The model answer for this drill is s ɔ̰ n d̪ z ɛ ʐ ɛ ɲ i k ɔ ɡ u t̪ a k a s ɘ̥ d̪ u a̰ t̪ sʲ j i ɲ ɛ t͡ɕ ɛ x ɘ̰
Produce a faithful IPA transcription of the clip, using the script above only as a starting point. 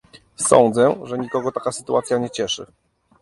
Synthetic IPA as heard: s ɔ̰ n d̪ z ɛ ʐ ɛ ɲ i k ɔ ɡ ɔ t̪ a k a s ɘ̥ t̪ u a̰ t̪ sʲ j a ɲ ɛ t͡ɕ ɛ ʂ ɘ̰